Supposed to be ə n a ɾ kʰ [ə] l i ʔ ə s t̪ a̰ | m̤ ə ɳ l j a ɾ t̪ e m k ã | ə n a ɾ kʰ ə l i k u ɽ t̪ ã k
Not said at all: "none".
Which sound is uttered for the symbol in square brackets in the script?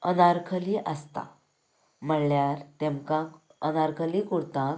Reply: ə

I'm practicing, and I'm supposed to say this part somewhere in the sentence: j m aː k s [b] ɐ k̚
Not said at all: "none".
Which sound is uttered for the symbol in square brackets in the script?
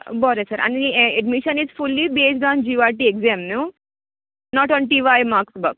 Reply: b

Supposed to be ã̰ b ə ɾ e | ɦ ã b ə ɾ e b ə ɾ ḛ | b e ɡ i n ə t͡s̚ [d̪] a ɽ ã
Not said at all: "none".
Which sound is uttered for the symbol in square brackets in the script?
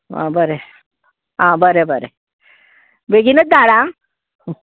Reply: d̪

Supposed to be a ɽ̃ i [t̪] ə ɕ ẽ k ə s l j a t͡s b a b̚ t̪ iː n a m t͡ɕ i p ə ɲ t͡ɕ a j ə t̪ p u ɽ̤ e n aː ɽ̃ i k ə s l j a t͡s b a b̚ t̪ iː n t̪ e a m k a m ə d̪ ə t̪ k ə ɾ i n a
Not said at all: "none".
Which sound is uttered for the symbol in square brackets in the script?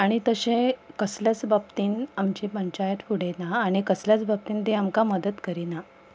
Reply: t̪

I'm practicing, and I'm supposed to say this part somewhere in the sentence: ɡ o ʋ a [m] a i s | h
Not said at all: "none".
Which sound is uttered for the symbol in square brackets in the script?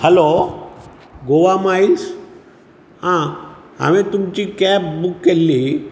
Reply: m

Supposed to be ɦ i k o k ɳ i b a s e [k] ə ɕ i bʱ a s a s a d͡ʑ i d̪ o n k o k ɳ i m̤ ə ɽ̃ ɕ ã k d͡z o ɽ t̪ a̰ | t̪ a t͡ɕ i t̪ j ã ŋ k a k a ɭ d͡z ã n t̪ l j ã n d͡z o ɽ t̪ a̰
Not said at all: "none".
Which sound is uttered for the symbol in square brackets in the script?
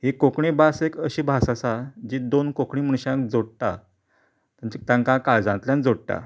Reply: k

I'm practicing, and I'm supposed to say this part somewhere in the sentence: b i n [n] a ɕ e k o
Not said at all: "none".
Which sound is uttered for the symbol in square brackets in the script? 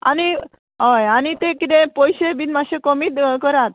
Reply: m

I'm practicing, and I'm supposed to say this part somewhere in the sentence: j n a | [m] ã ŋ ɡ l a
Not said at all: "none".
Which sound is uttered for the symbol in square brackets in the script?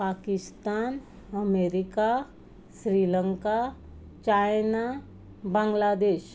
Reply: b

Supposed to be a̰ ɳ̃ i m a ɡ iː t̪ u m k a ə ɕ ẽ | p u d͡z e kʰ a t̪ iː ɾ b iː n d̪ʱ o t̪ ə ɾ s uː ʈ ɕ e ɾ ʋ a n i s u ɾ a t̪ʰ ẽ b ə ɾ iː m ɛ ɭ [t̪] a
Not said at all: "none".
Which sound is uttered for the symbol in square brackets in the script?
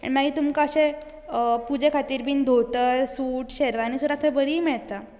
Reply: t̪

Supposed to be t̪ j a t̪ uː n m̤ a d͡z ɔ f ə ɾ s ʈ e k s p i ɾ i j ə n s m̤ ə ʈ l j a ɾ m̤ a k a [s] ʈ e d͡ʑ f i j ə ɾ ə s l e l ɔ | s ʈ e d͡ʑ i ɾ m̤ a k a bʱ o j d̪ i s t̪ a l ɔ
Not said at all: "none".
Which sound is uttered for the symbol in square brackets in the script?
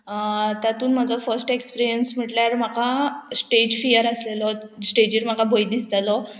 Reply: s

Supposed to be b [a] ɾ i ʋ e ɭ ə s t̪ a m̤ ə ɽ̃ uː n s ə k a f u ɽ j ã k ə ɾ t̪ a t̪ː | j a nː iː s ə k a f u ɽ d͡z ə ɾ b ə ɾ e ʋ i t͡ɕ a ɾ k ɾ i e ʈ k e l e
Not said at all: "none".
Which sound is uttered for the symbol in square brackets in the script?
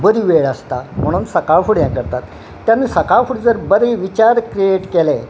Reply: ə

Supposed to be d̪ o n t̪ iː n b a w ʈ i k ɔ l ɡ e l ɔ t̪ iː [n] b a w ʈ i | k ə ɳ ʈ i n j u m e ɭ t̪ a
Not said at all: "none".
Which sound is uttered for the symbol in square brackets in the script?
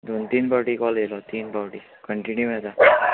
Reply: n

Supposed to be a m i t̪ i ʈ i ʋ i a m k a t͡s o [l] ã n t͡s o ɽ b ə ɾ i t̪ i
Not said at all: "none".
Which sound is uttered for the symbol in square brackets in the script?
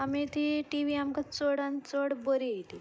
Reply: ɽ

